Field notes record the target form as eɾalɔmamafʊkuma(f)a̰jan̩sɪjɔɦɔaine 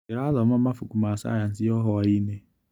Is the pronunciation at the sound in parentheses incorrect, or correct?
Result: incorrect